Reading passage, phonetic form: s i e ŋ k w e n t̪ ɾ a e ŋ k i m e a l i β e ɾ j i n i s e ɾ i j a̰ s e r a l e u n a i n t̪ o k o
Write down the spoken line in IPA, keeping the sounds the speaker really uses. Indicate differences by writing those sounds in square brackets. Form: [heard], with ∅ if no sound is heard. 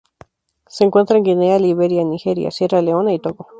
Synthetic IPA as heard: s [e] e ŋ k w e n t̪ ɾ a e ŋ [ɡ] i [n] e a l i β e ɾ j [a] n i [x] e ɾ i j a̰ s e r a l e [o] n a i [∅] t̪ o k o